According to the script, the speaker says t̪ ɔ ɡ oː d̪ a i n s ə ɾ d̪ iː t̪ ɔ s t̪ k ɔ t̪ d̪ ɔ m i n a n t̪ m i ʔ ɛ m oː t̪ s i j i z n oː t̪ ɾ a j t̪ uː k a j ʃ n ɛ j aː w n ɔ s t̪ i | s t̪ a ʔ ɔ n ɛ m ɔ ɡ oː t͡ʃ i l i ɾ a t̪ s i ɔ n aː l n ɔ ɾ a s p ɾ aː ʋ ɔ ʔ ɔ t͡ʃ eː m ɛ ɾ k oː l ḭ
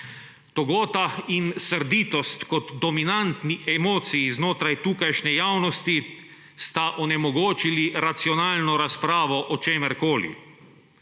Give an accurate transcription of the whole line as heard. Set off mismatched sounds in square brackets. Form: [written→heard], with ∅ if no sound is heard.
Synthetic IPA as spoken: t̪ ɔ ɡ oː [d̪→t̪] a i n s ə ɾ d̪ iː t̪ ɔ s t̪ k ɔ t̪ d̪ ɔ m i n a n t̪ [m→n] i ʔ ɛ m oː t̪ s i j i z n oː t̪ ɾ a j t̪ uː k a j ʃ n ɛ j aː w n ɔ s t̪ i | s t̪ a ʔ ɔ n ɛ m ɔ ɡ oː t͡ʃ i l i ɾ a t̪ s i ɔ n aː l n ɔ ɾ a s p ɾ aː ʋ ɔ ʔ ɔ t͡ʃ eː m ɛ ɾ k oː l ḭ